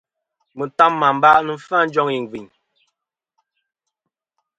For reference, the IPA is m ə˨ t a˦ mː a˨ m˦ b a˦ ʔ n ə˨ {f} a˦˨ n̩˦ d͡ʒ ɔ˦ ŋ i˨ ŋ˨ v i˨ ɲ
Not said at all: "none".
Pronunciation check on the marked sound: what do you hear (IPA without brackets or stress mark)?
f